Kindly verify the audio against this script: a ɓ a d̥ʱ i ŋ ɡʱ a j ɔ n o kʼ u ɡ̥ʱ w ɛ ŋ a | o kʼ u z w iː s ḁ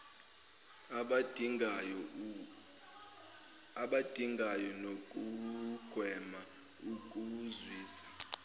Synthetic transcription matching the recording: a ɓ a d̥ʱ i ŋ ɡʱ a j ɔ n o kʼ u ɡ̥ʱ w ɛ m a | u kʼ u z w iː s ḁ